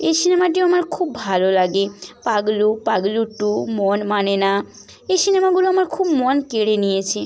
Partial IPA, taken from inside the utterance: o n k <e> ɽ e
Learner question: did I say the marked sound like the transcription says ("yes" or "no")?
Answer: yes